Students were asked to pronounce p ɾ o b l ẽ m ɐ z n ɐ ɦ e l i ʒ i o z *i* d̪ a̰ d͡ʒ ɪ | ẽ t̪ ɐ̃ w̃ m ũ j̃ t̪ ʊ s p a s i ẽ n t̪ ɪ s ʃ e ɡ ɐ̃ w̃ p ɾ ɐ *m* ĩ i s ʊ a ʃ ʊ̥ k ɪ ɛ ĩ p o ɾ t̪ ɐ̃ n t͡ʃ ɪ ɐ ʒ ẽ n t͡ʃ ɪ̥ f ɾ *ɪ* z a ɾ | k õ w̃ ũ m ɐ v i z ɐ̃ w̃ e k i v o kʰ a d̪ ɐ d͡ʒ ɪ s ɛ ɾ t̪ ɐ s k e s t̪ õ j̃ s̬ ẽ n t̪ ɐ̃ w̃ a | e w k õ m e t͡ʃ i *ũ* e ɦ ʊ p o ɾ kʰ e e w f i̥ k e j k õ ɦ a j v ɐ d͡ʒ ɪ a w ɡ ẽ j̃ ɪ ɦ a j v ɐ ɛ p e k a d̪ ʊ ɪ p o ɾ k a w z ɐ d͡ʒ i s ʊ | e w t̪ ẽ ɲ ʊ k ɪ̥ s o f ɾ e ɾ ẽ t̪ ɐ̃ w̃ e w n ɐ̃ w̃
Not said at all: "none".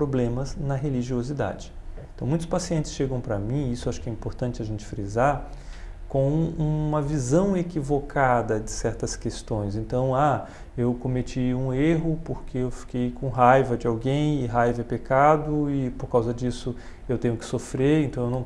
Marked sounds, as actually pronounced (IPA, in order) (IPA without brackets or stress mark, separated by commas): i, m, i, ũ